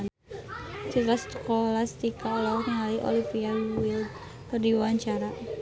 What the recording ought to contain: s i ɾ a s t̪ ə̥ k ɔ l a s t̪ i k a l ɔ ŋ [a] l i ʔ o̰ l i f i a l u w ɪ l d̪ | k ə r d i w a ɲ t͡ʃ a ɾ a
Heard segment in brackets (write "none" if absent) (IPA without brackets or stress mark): a